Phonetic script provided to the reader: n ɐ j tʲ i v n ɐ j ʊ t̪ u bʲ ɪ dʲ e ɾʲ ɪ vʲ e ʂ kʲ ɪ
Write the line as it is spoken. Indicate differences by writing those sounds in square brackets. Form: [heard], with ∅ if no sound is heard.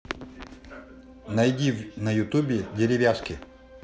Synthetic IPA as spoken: n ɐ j [dʲ] i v n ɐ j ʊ t̪ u bʲ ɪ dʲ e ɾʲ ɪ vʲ [a] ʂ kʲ ɪ

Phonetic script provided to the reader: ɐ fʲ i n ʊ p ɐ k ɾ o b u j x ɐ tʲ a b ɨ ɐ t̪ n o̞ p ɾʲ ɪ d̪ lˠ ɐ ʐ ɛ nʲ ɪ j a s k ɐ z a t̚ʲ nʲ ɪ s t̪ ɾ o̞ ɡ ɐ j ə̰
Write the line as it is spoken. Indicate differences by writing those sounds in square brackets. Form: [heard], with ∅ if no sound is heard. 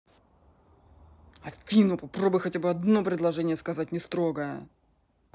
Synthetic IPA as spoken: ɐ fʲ i n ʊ p ɐ [p] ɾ o b [ʊ] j x ɐ tʲ a b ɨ ɐ [d̪] n o̞ p ɾʲ ɪ d̪ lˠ ɐ ʐ ɛ nʲ ɪ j [ə] s k ɐ z a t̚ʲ nʲ ɪ s t̪ ɾ o̞ ɡ [ə] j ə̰

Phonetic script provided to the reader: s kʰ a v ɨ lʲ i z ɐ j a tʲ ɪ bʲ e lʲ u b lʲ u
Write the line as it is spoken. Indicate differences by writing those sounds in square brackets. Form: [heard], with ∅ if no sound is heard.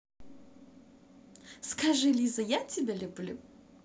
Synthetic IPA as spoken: s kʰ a [ʐ] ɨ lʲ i z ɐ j a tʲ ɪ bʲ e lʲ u b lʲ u

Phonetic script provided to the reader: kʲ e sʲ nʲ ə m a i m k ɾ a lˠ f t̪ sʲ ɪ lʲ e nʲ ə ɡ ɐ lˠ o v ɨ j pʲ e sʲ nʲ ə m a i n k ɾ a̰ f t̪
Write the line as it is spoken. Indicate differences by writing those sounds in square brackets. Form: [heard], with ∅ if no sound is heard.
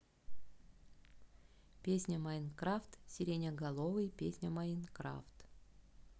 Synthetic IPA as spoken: [pʲ] e sʲ nʲ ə m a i [n] k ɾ a [∅] f t̪ sʲ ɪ [ɾʲ] e nʲ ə ɡ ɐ lˠ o v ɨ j pʲ e sʲ nʲ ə m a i n k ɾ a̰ f t̪

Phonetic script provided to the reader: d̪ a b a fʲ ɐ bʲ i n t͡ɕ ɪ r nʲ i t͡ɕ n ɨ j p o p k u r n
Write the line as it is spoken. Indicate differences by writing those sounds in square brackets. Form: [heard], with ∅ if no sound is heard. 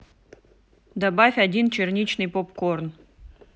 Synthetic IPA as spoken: d̪ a b a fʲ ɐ [dʲ] i n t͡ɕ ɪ r nʲ i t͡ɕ n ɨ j p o p k [o] r n

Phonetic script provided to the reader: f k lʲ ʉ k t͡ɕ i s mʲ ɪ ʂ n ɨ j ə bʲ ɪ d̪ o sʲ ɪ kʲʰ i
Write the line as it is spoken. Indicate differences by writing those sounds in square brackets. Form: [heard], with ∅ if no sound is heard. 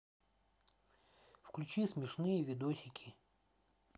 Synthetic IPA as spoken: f k lʲ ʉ [∅] t͡ɕ i s mʲ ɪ ʂ n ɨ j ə [vʲ] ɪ d̪ o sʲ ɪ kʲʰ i

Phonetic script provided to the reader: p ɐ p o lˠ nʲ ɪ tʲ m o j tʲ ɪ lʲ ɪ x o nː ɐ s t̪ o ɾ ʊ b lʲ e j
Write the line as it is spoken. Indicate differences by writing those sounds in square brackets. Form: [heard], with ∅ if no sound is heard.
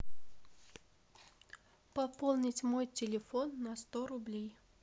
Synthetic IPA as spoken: p ɐ p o lˠ nʲ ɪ tʲ m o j tʲ ɪ lʲ ɪ [f] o nː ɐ s t̪ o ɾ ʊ b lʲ e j

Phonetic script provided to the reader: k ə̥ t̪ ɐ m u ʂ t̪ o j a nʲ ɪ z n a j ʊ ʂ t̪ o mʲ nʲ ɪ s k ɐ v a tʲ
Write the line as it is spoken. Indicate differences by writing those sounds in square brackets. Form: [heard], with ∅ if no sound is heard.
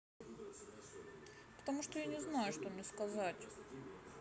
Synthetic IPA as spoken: [p] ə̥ t̪ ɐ m u ʂ t̪ o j a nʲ ɪ z n a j ʊ ʂ t̪ o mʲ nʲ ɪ s k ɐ [z] a tʲ

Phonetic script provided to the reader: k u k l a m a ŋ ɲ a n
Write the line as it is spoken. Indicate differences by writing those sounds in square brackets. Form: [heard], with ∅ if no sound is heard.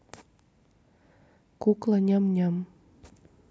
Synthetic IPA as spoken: k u k l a [ɲ] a [m] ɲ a [m]

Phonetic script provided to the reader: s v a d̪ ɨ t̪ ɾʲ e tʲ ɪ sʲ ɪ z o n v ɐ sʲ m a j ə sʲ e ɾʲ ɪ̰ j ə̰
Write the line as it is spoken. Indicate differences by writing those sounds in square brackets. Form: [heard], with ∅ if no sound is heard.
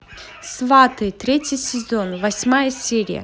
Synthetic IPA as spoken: s v a [t̪] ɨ t̪ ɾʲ e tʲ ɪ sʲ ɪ z o n v ɐ sʲ m a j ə sʲ e ɾʲ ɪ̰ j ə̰

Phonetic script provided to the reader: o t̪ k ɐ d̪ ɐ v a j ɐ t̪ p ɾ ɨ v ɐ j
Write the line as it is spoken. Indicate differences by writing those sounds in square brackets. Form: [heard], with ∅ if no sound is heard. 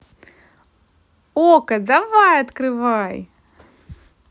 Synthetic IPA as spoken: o [∅] k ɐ d̪ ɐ v a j ɐ t̪ [k] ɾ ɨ v [a] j

